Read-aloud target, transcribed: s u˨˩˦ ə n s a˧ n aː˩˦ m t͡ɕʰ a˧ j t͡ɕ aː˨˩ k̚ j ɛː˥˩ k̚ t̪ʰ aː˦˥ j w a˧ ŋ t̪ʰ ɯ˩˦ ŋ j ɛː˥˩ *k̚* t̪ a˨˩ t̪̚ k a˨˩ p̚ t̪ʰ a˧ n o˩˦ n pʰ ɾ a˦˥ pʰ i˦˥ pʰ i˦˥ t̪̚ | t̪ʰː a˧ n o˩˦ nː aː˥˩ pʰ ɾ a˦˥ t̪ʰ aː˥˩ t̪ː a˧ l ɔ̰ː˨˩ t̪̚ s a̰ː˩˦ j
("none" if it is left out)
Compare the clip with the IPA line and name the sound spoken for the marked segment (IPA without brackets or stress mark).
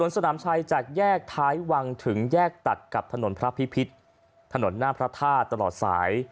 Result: k̚